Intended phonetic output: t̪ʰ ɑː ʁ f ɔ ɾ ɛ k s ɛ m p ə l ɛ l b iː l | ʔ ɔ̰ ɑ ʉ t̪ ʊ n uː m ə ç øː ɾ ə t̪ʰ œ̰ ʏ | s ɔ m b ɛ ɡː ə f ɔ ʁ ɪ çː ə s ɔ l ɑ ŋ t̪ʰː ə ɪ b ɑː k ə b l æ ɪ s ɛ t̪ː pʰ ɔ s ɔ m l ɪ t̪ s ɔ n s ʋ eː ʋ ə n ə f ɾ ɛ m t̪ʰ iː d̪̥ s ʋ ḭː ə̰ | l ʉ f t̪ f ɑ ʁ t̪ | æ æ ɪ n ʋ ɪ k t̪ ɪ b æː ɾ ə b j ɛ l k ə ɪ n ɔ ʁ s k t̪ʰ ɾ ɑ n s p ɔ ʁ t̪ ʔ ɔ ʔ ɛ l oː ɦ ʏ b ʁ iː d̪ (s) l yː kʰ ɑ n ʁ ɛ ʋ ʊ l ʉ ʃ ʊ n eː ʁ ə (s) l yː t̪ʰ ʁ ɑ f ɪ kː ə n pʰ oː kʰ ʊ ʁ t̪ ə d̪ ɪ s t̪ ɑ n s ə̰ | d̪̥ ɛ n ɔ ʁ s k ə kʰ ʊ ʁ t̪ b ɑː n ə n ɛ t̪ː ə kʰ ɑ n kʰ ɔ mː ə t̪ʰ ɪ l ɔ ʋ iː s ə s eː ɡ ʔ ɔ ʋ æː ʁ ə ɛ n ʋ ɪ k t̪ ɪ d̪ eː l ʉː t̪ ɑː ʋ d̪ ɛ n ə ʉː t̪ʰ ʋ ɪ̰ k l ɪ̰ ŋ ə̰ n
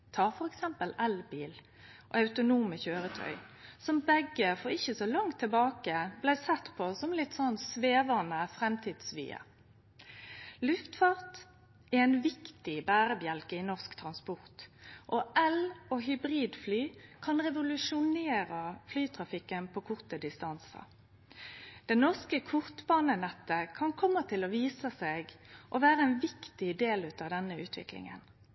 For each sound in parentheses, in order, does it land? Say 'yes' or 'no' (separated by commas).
no, no